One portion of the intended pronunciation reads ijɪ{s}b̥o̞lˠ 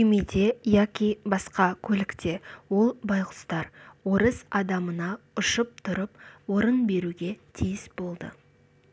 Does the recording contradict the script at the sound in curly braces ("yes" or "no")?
no